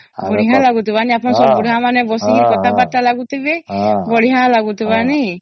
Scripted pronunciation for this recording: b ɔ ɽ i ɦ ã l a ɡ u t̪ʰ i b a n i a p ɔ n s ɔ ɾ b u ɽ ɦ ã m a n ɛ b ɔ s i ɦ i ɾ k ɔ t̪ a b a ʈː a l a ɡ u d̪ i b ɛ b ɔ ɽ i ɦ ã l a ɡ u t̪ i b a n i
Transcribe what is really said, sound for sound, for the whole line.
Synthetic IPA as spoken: b ɔ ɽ i ɦ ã l a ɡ u t̪ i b a n i a p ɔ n s ɔ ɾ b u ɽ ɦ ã m a n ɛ b ɔ s i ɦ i ɾ k ɔ t̪ a b a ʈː a l a ɡ u t̪ i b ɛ b ɔ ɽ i ɦ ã l a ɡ u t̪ i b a n i